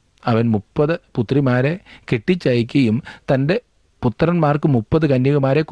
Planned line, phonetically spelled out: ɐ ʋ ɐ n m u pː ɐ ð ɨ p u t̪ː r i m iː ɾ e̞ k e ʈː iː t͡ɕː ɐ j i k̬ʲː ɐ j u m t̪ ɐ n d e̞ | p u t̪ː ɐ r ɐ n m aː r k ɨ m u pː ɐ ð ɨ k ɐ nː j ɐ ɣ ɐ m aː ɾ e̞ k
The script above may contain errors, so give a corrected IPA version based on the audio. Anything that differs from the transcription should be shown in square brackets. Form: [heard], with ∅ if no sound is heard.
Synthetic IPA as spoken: ɐ ʋ ɐ n m u pː ɐ ð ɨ p u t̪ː r i m [aː] ɾ e̞ k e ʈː [i] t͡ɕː ɐ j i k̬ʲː ɐ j u m t̪ ɐ n d e̞ | p u t̪ː ɐ r ɐ n m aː r k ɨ m u pː ɐ ð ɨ k ɐ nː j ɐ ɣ ɐ m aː ɾ e̞ k